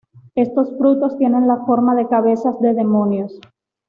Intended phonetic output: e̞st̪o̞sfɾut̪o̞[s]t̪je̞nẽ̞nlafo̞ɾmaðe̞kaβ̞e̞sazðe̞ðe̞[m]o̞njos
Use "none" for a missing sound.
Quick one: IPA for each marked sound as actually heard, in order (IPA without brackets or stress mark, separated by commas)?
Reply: s, m